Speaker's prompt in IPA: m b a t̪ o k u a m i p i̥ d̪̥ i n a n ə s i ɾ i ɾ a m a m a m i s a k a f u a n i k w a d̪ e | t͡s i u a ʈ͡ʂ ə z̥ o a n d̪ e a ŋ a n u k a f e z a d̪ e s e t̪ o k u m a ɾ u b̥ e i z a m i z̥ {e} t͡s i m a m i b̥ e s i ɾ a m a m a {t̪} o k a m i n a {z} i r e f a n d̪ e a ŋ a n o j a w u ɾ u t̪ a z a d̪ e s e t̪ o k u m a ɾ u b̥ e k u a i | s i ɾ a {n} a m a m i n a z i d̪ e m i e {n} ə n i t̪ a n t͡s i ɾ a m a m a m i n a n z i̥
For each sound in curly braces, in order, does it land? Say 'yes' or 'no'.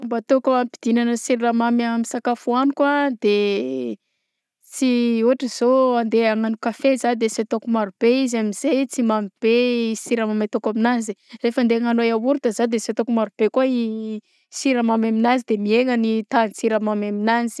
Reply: yes, yes, yes, no, no

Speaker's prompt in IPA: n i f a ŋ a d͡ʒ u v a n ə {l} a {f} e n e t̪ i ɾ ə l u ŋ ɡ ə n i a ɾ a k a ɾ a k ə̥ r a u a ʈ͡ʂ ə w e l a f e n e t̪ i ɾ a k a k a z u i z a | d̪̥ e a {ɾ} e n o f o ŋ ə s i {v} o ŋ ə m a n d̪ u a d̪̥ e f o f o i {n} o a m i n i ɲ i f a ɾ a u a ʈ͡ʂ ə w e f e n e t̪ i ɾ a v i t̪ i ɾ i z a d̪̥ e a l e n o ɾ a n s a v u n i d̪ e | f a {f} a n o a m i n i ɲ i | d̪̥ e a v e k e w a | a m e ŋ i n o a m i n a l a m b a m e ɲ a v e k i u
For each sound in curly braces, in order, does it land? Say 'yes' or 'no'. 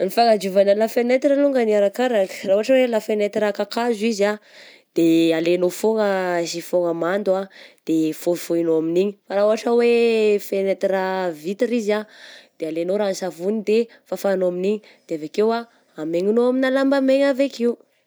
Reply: yes, yes, no, no, yes, yes

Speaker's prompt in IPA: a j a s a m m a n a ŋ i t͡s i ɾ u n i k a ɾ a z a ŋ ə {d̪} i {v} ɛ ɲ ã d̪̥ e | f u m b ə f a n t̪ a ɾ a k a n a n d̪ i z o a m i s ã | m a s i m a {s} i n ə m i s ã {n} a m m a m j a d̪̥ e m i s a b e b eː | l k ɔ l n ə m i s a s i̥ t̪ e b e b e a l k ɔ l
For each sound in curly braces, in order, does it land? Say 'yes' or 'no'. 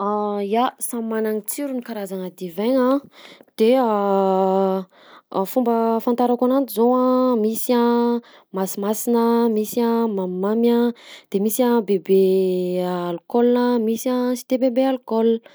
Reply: yes, yes, yes, no

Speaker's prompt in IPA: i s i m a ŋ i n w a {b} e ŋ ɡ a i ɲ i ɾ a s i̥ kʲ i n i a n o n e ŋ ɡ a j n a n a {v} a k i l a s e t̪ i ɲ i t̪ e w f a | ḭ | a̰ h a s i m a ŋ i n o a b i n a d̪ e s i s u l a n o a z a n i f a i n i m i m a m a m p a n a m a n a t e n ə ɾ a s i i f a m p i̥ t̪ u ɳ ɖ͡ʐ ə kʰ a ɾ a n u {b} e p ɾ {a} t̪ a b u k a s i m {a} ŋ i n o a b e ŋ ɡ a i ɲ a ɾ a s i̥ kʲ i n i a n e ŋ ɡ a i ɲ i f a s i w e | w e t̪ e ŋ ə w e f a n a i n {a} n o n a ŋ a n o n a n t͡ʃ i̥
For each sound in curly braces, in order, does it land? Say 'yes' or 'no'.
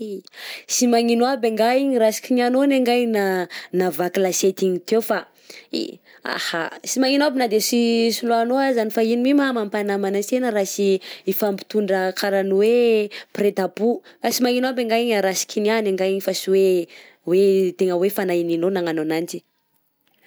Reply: yes, yes, no, no, yes, no

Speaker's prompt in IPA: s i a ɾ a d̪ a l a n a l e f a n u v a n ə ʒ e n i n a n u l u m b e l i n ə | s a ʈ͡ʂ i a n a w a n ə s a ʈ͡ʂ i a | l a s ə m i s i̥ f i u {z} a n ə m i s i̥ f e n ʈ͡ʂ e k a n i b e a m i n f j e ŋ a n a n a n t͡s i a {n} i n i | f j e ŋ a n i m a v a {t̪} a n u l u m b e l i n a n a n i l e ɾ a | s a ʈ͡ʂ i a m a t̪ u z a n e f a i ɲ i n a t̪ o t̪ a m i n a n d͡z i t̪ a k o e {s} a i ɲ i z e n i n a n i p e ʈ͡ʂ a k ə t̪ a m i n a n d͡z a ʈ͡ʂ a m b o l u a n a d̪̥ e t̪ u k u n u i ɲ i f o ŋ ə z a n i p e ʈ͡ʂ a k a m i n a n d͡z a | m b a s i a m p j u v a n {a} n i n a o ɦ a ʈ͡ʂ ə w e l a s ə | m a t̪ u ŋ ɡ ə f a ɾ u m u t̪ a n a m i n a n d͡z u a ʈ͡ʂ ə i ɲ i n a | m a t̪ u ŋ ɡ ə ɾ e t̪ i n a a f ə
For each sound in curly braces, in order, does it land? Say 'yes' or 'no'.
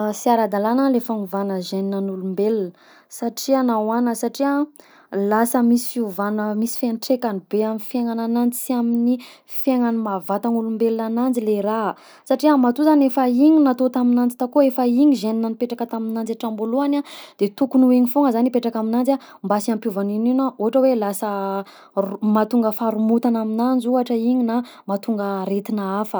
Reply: no, no, yes, no, no

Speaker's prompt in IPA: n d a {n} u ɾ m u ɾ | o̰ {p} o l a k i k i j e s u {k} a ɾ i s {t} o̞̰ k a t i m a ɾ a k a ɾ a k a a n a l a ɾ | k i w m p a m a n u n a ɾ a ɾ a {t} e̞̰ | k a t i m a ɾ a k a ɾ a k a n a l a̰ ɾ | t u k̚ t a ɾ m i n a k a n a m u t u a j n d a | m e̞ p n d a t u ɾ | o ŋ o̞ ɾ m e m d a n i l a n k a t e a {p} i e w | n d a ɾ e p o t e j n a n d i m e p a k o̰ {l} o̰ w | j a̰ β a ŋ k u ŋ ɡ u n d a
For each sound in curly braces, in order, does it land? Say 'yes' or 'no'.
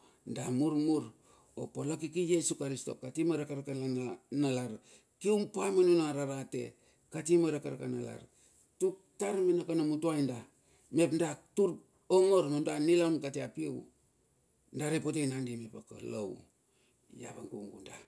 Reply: no, yes, yes, yes, yes, yes, yes

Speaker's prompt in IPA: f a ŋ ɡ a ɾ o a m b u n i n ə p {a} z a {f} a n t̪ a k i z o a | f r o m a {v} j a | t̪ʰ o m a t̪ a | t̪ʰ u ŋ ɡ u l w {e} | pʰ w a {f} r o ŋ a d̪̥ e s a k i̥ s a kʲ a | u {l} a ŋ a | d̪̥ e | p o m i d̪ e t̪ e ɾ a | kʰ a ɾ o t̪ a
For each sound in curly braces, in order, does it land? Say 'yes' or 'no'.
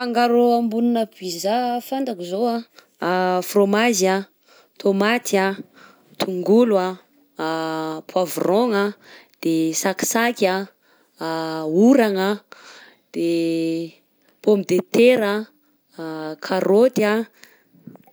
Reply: no, yes, no, no, no, no

